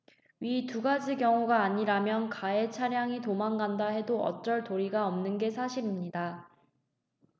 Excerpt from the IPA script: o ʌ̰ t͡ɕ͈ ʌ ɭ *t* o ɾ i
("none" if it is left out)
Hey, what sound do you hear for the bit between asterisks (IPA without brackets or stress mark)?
t